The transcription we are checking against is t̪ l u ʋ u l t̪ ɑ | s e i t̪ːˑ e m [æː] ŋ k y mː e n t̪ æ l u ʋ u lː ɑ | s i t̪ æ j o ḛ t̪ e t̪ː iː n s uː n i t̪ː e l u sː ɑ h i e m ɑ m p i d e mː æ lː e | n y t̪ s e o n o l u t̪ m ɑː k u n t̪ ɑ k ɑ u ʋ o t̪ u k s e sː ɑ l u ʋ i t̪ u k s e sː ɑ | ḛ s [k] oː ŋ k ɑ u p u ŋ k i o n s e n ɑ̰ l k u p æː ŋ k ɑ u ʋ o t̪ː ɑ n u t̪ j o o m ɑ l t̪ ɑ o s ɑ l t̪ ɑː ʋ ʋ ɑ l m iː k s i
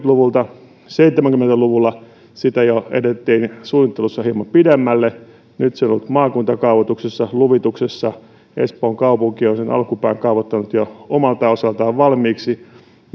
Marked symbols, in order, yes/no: no, no

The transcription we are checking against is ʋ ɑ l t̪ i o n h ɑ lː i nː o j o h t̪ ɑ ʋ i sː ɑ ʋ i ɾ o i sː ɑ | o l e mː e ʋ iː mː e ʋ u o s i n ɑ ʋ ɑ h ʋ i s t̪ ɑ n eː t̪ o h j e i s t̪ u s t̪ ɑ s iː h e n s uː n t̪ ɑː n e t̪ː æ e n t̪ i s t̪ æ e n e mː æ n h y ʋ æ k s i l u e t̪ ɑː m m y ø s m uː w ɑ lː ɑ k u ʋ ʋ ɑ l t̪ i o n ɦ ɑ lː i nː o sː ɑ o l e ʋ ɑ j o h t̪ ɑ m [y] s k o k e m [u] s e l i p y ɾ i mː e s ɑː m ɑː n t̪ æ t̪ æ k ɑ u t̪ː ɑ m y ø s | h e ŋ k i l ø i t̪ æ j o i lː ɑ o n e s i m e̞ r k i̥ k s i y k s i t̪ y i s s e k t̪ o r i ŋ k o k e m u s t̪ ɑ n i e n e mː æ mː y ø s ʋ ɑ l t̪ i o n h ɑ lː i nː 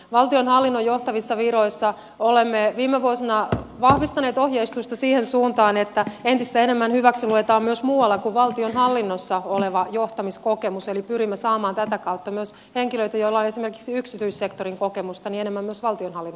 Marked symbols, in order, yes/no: no, yes

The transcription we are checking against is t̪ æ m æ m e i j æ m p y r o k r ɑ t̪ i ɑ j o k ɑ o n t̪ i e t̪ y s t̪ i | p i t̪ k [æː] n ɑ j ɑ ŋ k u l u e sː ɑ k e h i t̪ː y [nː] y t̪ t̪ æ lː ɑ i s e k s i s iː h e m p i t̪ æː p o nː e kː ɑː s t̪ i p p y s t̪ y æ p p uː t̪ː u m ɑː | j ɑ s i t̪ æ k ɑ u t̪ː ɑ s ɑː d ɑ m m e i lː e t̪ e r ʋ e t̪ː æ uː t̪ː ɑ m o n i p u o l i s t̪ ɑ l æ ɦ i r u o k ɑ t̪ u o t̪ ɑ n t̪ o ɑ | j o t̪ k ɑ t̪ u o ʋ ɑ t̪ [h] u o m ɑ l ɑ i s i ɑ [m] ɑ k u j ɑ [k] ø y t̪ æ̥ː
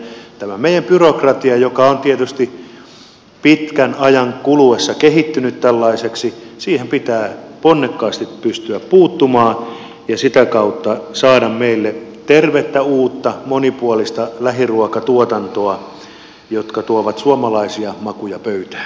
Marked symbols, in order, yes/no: no, no, no, yes, no

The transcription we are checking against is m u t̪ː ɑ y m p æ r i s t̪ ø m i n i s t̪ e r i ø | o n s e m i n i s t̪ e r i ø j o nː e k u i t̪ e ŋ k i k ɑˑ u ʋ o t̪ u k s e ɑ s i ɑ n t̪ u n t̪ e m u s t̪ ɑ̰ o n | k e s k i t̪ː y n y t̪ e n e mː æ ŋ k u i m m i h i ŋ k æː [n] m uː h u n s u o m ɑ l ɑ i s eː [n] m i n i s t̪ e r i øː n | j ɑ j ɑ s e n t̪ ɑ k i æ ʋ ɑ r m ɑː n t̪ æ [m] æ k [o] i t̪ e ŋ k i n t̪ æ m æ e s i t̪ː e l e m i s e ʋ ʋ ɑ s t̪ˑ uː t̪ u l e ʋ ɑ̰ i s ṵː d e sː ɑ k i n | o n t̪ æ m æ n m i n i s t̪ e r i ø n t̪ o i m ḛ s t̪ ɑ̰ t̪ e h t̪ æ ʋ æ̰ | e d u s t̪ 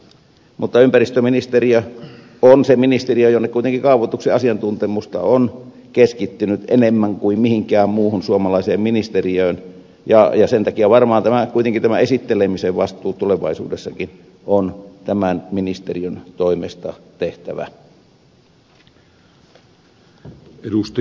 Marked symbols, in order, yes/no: no, no, yes, no

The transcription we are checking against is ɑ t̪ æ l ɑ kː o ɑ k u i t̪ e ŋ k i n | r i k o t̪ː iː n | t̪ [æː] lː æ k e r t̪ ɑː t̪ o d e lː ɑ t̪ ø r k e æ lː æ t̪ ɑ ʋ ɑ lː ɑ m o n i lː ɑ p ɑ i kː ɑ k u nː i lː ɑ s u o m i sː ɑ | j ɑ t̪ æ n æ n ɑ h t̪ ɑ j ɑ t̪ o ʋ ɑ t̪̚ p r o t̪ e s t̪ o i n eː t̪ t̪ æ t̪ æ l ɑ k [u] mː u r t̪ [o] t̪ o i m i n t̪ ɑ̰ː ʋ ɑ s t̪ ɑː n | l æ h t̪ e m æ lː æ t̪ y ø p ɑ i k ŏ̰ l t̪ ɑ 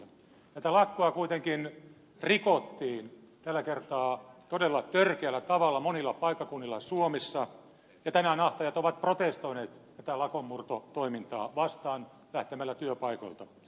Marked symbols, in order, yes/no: no, no, yes

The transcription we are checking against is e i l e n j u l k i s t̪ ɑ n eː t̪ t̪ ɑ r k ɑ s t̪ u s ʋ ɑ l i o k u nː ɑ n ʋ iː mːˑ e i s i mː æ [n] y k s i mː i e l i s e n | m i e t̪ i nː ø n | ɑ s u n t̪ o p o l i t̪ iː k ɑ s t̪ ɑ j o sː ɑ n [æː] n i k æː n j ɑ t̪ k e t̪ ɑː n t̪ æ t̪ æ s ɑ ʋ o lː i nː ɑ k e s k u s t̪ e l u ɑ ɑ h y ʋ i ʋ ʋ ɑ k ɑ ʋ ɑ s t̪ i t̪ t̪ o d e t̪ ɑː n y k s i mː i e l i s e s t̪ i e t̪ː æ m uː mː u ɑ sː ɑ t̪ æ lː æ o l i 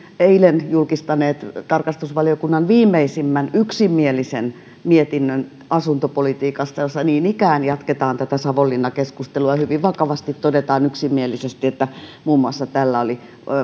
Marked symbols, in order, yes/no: yes, no

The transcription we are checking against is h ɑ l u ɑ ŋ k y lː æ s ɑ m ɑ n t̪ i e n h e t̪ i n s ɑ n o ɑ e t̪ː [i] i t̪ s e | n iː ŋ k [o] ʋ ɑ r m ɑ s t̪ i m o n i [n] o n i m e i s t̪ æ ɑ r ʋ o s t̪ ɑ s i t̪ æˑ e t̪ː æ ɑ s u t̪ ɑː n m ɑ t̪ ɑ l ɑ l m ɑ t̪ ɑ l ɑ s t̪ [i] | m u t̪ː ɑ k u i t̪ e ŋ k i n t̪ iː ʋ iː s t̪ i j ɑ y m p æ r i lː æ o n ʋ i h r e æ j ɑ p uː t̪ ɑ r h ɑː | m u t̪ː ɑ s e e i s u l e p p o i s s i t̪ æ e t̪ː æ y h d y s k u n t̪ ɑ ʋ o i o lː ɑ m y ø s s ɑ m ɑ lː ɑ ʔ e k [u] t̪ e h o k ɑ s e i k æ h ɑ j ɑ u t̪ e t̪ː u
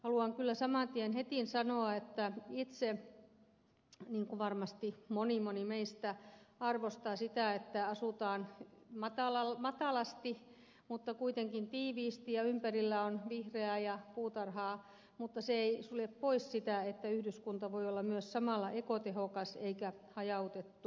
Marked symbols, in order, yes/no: no, no, no, yes, no

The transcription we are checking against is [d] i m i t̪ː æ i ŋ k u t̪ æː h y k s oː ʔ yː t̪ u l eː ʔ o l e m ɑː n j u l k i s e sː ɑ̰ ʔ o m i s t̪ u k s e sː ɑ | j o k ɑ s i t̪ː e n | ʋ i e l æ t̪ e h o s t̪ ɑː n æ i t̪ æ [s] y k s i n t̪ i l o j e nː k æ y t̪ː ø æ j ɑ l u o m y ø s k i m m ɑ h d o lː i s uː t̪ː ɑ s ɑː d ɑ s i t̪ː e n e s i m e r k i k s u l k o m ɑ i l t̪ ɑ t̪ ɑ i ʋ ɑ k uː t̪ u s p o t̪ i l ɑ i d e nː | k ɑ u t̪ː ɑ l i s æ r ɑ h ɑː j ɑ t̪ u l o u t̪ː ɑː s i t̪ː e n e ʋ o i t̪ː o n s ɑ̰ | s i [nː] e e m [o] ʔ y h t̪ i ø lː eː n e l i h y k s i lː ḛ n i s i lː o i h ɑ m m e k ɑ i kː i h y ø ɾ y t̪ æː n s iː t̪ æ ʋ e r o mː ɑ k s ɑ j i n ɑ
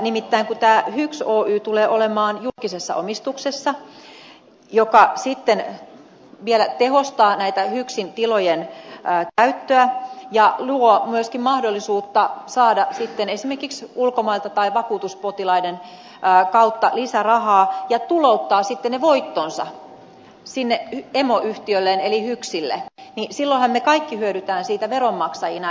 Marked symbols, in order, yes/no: no, no, yes, yes

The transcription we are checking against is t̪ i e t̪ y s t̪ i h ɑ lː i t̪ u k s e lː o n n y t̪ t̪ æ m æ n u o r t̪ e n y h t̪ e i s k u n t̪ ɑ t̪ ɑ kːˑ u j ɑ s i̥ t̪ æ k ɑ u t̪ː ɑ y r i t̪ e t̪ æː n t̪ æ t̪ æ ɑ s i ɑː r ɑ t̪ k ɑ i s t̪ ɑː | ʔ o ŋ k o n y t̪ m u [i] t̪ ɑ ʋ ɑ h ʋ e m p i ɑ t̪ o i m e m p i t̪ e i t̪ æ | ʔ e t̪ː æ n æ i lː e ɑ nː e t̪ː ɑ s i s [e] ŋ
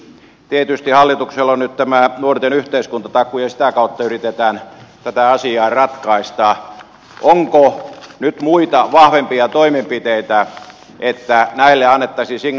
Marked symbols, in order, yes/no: yes, no

